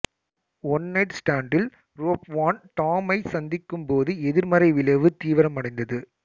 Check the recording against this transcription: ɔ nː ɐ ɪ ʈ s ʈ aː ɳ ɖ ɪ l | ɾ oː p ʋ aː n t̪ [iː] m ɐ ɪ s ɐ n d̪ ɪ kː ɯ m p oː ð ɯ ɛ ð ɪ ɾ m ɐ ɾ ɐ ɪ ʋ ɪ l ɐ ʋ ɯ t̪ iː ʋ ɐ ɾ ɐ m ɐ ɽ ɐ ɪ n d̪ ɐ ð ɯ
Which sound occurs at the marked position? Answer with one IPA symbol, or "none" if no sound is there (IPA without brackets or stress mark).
aː